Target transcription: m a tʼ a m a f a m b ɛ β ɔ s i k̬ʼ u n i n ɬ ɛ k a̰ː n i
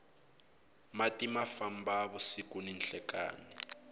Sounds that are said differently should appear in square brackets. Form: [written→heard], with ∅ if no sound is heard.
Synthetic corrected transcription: m a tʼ [a→i] m a f a m b [ɛ→a] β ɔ s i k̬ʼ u n i n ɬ ɛ k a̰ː n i